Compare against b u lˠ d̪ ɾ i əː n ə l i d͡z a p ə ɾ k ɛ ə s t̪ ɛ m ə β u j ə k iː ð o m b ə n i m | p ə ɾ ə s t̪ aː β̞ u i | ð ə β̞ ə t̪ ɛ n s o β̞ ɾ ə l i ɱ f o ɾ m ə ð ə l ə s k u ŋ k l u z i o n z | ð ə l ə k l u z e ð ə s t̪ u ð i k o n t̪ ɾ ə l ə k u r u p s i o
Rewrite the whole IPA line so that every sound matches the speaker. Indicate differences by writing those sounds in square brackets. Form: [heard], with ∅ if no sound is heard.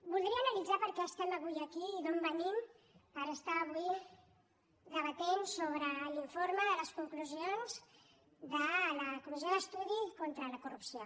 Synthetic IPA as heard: b u lˠ d̪ ɾ i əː n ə l i d͡z a p ə ɾ k ɛ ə s t̪ ɛ m ə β u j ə k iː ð o m b ə n i m | p ə ɾ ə s t̪ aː β̞ u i | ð ə β̞ ə t̪ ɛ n s o β̞ ɾ ə l i ɱ f o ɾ m ə ð ə l ə s k u ŋ k l u z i o n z | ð ə l ə k l u z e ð ə s t̪ u ð i k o n t̪ ɾ ə l ə k u r u p s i o

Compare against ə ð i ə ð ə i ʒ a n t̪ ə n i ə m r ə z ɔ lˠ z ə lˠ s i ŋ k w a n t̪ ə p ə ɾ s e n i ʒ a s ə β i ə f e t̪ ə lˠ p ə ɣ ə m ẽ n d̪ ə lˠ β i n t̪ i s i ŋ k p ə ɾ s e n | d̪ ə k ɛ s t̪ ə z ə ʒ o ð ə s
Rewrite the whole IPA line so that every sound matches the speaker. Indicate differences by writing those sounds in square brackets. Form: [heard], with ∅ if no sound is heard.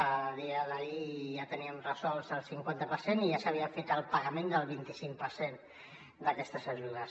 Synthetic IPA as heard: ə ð i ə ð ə i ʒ a [∅] t̪ ə n i ə m r ə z ɔ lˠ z ə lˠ s i ŋ k w a n t̪ ə p ə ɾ s e n i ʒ a s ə β i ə f e t̪ ə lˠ p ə ɣ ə m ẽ n d̪ ə lˠ β i n t̪ i s i ŋ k p ə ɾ s e n | d̪ ə k ɛ s t̪ ə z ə ʒ [u] ð ə s

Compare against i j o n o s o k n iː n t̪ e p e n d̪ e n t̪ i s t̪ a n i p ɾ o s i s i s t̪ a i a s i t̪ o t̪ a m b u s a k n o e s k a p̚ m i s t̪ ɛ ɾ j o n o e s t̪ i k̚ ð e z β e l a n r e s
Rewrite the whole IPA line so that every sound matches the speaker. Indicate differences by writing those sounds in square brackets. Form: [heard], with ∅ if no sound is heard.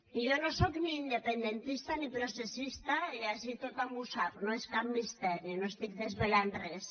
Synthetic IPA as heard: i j o n o s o k n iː n [d̪] e p e n d̪ e n t̪ i s t̪ a n i p ɾ o s [e] s i s t̪ a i a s i t̪ o t̪ a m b u s a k n o e s k a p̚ m i s t̪ ɛ ɾ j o n o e s t̪ i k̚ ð e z β e l a n r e s

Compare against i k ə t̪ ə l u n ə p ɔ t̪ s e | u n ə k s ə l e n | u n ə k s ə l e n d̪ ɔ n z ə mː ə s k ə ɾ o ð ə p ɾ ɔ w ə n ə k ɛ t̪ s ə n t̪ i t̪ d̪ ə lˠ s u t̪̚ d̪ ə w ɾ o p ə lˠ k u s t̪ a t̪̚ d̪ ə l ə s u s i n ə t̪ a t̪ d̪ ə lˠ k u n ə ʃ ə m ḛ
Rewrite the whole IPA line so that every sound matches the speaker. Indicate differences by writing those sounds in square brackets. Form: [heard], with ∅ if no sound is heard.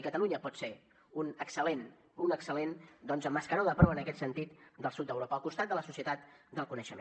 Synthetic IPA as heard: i k ə t̪ ə l u [ɲ] ə p ɔ t̪ s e | u n ə k s ə l e n | u n ə k s ə l e n d̪ ɔ n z ə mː ə s k ə ɾ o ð ə p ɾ ɔ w ə n ə k ɛ t̪ s ə n t̪ i t̪ d̪ ə lˠ s u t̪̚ d̪ ə w ɾ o p ə lˠ k u s t̪ a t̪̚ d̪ ə l ə s u s i [∅] ə t̪ a t̪ d̪ ə lˠ k u n ə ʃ ə m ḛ

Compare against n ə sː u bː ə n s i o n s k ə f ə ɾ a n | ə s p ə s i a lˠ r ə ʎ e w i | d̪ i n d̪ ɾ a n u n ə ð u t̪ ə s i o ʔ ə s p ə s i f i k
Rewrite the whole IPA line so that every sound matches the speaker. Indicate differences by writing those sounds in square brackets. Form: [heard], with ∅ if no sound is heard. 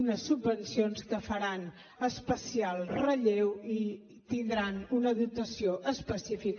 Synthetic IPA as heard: n ə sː u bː ə n s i o n s k ə f ə ɾ a n | ə s p ə s i a lˠ r ə ʎ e w i | [t̪] i n d̪ ɾ a n u n ə ð u t̪ ə s i o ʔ ə s p ə s i f i k

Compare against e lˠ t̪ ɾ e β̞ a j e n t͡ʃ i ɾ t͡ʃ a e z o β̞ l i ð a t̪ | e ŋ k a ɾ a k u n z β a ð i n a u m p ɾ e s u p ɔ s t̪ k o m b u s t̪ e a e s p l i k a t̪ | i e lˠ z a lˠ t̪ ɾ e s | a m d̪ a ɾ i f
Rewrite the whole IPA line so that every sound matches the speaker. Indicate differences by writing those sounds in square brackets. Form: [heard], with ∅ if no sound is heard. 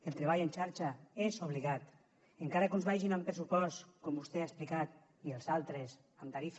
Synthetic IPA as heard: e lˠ t̪ ɾ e β̞ a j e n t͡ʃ [a] ɾ t͡ʃ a e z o β̞ l i [ɣ] a t̪ | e ŋ k a ɾ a k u n z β a [ʒ] i n a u m p ɾ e s u p ɔ s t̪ k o m b u s t̪ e a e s p l i k a t̪ | i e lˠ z a lˠ t̪ ɾ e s | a m [t̪] a ɾ i f

